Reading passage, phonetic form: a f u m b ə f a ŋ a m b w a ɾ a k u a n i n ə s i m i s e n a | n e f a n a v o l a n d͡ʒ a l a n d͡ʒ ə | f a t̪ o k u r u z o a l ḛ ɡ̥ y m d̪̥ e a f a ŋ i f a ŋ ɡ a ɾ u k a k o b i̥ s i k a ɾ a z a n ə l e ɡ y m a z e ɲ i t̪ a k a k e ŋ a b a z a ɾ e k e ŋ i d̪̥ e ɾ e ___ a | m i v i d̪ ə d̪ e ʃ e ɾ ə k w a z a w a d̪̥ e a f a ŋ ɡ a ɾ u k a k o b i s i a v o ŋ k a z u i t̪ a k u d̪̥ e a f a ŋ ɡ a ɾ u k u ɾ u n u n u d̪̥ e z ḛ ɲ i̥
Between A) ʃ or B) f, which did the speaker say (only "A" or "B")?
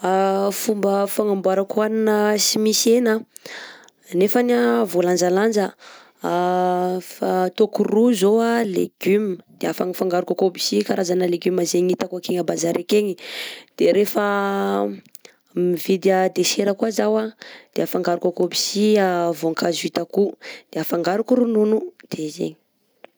B